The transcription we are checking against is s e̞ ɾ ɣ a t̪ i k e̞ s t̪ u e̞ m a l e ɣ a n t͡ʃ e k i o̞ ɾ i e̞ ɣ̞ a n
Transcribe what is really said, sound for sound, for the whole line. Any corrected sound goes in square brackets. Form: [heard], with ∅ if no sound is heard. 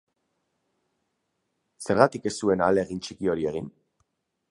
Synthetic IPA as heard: s e̞ ɾ ɣ a t̪ i k e̞ s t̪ u e̞ [n] a l e ɣ [i] n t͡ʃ [i] k i o̞ ɾ i e̞ ɣ̞ [i] n

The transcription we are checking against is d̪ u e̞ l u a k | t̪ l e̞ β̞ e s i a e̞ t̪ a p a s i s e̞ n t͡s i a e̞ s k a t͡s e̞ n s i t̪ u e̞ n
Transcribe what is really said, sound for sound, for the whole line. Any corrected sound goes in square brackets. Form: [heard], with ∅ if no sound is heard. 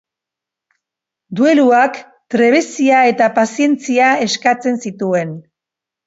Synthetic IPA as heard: d̪ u e̞ l u a k | t̪ [ɾ] e̞ β̞ e s i a e̞ t̪ a p a s i [∅] e̞ n t͡s i a e̞ s k a t͡s e̞ n s i t̪ u e̞ n

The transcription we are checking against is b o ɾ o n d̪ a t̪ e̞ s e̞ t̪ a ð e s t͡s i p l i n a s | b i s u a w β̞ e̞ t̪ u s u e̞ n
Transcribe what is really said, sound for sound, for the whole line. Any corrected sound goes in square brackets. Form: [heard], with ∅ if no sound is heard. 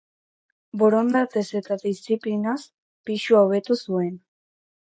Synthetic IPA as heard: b o ɾ o n d̪ a t̪ e̞ s e̞ t̪ a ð [i] s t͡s i p l i n a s | [p] i [ʃ] u a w β̞ e̞ t̪ u s u e̞ n

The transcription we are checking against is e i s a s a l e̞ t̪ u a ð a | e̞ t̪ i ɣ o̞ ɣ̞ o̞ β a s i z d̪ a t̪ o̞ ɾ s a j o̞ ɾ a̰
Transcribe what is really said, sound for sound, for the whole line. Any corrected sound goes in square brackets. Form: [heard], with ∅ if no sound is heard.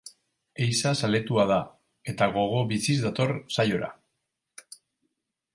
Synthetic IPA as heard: e [j] s a s a l e̞ t̪ u a ð a | e̞ t̪ [a] ɣ o̞ ɣ̞ o̞ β [i] s i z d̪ a t̪ o̞ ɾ s a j o̞ ɾ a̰

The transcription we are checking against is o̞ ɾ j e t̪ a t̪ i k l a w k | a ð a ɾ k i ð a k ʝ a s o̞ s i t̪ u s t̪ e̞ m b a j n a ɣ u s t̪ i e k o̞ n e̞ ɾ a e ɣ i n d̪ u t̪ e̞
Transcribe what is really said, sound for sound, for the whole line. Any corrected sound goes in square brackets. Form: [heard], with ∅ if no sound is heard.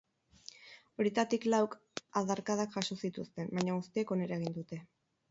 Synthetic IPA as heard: o̞ ɾ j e t̪ a t̪ i k l a w k | a ð a ɾ k [a] ð a k ʝ a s o̞ s i t̪ u s t̪ e̞ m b a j [ɲ] a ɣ u s t̪ i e k o̞ n e̞ ɾ a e ɣ i n d̪ u t̪ e̞

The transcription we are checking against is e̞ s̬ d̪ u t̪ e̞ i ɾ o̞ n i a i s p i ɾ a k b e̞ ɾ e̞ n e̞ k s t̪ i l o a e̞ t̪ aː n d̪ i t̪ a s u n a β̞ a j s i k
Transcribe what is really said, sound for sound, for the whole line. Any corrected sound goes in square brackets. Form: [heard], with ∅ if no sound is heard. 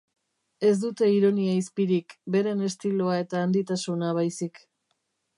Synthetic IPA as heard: e̞ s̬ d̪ u t̪ e̞ i ɾ o̞ n i a i s p i ɾ [i] k b e̞ ɾ e̞ n e̞ [∅] s t̪ i l o a e̞ t̪ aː n d̪ i t̪ a s u n a β̞ a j s i k

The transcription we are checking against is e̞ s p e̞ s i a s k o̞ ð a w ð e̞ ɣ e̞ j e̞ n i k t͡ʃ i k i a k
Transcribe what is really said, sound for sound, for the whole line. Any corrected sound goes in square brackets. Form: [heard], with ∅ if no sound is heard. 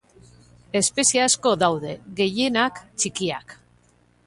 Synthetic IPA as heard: e̞ s p e̞ s i a s k o̞ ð a w ð e̞ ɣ e̞ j e̞ n [a] k t͡ʃ i k i a k

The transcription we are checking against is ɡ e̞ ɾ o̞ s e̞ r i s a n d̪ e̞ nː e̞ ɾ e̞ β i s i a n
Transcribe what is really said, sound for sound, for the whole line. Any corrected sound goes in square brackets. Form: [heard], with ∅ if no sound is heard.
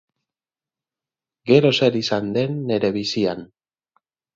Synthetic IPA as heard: ɡ e̞ ɾ o̞ s e̞ [ɾ] i s a n d̪ e̞ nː e̞ ɾ e̞ β i s i a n

